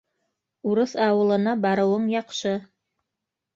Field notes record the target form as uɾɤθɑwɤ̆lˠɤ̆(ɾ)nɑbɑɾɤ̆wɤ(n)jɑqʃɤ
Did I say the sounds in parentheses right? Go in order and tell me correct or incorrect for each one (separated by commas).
incorrect, incorrect